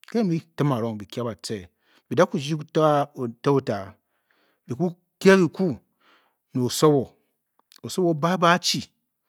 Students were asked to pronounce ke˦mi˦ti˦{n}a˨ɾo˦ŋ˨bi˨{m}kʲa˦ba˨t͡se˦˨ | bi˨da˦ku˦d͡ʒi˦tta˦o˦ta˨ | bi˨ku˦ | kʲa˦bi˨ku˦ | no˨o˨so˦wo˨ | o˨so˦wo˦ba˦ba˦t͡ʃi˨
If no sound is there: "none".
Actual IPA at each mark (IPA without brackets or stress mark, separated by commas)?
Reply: m, none